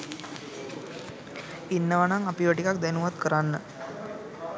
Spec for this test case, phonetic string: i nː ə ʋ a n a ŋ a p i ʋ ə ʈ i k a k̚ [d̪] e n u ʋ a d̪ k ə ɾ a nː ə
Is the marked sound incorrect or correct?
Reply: correct